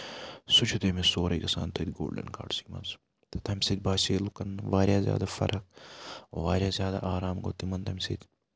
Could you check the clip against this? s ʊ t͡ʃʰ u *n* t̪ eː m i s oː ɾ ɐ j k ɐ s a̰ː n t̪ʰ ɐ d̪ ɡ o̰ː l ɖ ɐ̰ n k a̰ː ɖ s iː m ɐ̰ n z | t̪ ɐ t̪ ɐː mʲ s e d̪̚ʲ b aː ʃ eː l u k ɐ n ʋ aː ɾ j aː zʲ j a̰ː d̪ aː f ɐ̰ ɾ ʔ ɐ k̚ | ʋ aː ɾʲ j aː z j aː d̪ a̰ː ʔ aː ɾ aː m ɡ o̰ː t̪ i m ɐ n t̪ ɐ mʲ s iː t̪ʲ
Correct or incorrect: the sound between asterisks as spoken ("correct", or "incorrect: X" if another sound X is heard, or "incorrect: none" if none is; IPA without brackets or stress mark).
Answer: incorrect: none